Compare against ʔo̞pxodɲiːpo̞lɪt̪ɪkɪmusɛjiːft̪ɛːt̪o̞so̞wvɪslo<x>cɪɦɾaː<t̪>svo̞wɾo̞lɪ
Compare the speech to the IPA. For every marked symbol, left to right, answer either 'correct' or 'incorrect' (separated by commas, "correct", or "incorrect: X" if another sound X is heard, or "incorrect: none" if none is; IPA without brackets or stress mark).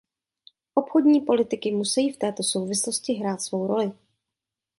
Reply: incorrect: s, correct